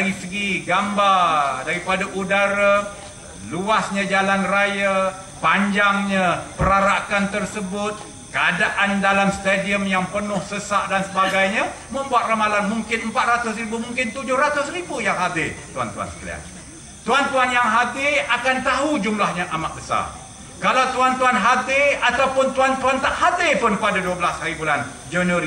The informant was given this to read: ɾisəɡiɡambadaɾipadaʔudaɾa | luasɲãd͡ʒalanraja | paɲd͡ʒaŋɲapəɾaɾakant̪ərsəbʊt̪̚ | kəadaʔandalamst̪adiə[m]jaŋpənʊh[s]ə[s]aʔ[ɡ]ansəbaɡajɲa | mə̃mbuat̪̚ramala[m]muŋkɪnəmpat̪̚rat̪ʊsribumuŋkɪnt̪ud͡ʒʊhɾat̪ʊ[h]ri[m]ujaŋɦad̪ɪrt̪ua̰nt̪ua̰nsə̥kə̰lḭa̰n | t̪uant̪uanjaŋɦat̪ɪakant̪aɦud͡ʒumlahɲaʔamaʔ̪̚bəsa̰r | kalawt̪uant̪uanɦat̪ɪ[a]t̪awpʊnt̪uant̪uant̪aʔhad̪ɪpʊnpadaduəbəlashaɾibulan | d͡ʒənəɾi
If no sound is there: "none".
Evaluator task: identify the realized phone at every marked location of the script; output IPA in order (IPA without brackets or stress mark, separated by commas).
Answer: m, s, s, d, n, s, b, a